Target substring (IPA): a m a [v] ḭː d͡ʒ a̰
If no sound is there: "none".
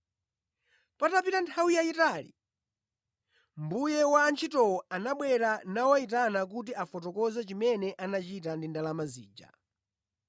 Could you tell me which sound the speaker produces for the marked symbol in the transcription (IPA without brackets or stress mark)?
z